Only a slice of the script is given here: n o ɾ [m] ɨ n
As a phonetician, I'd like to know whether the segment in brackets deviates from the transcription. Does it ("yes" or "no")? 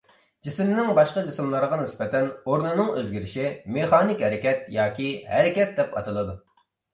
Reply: yes